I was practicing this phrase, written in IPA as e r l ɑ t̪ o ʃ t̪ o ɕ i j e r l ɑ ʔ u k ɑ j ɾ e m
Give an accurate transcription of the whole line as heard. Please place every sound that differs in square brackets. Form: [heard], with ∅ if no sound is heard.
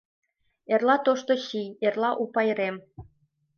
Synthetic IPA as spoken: e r l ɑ t̪ o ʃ t̪ o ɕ i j e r l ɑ ʔ u [p] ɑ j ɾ e m